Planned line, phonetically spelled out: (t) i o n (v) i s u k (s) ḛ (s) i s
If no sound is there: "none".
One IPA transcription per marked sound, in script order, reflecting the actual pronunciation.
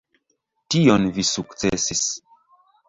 t, v, t͡s, s

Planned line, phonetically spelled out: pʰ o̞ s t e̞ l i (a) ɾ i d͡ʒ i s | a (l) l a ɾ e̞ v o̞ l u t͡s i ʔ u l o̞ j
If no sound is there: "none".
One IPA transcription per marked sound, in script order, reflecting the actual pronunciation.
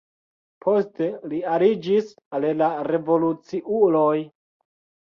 a, l

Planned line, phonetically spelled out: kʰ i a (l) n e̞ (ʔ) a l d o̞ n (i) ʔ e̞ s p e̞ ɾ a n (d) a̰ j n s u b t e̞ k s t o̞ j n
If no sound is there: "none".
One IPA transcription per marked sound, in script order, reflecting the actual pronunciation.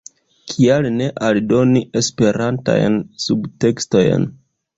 l, ʔ, i, t

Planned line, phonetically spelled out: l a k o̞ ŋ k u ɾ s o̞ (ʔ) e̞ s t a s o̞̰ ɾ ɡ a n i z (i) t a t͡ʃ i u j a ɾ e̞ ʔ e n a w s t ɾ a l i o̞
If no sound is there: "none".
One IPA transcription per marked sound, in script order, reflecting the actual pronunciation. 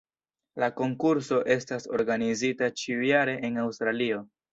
ʔ, i

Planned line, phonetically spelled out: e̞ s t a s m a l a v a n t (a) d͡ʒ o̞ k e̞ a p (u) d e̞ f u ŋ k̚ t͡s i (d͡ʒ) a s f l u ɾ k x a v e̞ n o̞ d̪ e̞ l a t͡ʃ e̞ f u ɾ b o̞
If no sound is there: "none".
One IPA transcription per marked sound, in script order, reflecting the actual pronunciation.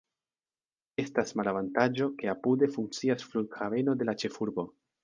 a, u, none

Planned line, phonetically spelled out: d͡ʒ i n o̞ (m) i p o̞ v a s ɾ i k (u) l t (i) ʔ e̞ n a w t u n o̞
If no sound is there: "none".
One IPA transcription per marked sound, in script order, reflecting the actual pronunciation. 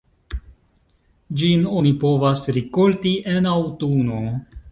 n, o, i

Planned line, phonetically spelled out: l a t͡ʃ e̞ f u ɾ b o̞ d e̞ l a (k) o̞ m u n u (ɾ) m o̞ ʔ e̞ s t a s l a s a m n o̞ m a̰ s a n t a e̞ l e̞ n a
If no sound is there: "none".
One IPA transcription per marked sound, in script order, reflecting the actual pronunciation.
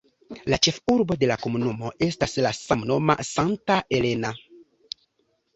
k, none

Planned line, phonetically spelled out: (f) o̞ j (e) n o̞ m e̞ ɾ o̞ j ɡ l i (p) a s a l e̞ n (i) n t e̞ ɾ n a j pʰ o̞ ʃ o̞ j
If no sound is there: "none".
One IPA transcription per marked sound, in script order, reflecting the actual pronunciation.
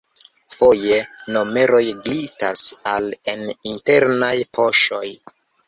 f, e, t, i

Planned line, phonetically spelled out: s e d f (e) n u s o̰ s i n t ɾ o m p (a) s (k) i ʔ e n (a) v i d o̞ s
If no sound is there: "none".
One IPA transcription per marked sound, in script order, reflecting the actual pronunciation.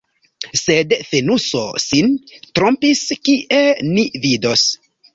e, i, k, i

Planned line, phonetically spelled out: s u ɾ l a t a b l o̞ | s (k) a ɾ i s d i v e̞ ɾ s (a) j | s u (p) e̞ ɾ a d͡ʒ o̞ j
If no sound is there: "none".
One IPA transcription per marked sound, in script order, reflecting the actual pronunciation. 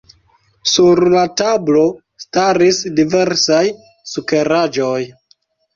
t, a, k

